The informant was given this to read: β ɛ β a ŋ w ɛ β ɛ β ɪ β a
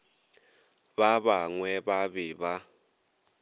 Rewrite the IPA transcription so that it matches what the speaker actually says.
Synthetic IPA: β a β a ŋ w ɛ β a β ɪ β a